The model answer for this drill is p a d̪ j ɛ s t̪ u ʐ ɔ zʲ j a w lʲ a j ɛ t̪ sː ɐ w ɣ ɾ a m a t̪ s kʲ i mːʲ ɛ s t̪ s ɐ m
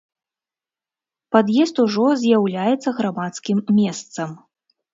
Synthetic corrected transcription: p a d̪ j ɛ s t̪ u ʐ ɔ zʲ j a w lʲ a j ɛ t̪ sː ɐ ɣ ɾ a m a t̪ s kʲ i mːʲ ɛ s t̪ s ɐ m